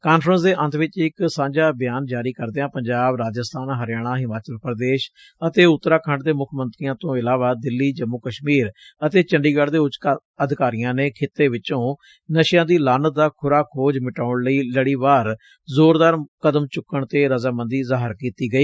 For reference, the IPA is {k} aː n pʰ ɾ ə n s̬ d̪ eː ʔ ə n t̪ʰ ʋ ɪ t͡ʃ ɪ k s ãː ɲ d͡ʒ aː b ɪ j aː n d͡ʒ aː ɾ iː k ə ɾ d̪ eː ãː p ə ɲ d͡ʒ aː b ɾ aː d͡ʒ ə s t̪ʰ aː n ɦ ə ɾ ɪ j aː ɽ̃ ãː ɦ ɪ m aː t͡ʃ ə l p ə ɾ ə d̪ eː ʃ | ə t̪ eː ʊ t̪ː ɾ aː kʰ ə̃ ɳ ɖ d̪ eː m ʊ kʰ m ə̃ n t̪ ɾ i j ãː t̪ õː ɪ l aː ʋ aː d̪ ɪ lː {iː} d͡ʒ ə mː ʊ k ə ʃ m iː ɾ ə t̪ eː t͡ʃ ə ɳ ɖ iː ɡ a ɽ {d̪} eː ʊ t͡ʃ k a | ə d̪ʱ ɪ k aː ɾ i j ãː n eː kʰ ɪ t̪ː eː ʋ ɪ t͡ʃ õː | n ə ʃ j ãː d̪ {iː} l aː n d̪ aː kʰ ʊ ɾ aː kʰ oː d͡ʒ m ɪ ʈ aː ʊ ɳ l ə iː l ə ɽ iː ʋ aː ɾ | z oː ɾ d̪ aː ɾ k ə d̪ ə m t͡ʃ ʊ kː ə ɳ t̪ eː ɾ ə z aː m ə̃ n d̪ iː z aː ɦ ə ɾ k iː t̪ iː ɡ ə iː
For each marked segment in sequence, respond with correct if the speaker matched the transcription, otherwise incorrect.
correct, correct, correct, correct

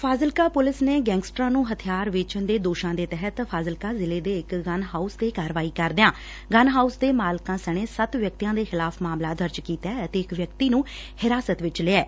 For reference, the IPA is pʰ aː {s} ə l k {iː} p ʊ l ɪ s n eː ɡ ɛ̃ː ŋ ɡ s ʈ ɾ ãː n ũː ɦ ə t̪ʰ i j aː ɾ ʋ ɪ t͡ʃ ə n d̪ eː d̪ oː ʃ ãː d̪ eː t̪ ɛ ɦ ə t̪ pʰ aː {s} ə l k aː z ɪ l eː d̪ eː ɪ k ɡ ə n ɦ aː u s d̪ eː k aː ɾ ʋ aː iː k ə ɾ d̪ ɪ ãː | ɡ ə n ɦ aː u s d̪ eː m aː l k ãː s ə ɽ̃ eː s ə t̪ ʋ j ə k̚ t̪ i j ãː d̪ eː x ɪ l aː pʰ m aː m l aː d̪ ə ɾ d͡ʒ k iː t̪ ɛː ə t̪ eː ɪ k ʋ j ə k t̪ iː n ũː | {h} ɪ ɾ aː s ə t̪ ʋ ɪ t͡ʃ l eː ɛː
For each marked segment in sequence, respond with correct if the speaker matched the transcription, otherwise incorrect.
incorrect: z, incorrect: aː, incorrect: z, correct

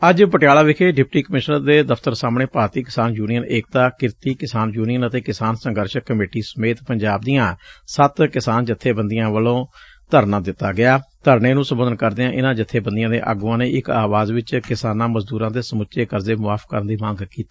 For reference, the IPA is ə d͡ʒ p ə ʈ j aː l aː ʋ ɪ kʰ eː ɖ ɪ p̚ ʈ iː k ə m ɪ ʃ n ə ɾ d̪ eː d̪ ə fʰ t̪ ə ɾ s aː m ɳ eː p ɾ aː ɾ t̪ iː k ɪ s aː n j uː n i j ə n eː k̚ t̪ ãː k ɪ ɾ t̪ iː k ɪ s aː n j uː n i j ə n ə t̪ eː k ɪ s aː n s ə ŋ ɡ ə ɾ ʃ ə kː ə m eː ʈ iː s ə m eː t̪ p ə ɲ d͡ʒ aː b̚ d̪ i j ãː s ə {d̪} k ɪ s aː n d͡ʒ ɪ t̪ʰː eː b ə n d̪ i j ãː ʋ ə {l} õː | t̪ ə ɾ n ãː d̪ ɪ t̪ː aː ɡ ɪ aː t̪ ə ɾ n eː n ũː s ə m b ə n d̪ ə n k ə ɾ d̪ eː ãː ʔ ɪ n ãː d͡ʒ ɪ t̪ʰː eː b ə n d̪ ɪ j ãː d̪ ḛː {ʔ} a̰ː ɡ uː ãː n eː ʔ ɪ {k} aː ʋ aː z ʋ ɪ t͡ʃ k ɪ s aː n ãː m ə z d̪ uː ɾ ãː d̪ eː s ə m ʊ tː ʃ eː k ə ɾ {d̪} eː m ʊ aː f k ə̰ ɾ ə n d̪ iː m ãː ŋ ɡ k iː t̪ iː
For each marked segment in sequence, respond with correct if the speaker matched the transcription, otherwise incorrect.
incorrect: t̪, correct, correct, correct, correct

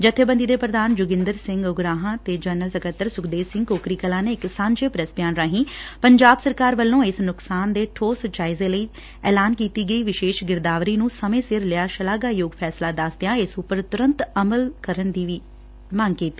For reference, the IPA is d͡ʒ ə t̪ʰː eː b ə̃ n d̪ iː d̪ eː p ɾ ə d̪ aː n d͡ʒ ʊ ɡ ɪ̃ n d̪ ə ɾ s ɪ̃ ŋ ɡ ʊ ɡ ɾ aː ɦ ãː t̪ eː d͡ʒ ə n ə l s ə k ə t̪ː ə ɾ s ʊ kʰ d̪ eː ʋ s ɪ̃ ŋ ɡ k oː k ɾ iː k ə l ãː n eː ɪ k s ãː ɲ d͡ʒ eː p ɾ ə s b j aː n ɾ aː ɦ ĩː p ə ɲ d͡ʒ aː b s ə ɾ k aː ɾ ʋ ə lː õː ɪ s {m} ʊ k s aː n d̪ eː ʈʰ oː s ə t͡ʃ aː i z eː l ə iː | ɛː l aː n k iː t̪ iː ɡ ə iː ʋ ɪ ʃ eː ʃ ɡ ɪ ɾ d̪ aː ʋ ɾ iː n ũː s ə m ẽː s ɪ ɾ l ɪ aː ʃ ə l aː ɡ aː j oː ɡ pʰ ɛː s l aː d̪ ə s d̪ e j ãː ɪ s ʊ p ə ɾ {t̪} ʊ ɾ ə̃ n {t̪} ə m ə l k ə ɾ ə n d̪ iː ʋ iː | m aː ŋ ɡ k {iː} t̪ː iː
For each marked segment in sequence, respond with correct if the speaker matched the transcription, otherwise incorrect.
incorrect: n, correct, correct, correct

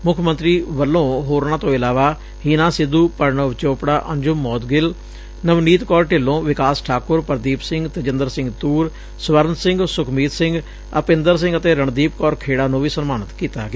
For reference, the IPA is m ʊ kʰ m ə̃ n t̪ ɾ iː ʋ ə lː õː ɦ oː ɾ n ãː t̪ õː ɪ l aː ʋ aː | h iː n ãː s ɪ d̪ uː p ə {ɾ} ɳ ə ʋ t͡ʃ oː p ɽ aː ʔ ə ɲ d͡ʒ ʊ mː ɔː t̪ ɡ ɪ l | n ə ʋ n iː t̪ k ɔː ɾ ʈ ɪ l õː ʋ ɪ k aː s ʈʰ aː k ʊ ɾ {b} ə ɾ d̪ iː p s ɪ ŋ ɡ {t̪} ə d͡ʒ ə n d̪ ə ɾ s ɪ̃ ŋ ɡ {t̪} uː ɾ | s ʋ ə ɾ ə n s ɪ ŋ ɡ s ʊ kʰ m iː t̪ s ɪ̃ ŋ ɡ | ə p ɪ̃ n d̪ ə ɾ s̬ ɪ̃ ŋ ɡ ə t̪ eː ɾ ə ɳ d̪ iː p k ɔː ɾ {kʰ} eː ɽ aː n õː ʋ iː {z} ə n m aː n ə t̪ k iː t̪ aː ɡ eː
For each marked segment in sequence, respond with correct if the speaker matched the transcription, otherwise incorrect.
correct, incorrect: p, correct, correct, correct, incorrect: s

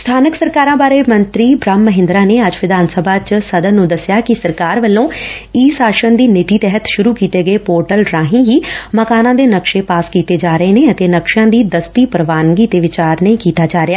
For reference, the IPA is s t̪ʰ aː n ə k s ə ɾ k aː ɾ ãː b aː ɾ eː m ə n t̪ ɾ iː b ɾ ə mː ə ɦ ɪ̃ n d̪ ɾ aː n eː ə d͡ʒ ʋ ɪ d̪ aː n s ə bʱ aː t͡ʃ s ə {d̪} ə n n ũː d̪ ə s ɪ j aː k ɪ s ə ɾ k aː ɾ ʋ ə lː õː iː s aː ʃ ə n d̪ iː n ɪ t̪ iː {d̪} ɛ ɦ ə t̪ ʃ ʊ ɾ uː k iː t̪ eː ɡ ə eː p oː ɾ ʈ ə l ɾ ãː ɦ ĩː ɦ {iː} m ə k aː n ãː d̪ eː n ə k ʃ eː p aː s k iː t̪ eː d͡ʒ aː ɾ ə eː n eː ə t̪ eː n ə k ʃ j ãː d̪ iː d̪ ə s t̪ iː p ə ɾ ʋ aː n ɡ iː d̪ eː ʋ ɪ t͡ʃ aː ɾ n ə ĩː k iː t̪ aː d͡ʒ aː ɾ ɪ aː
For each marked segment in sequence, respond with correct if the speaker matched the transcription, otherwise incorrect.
correct, incorrect: t̪, correct

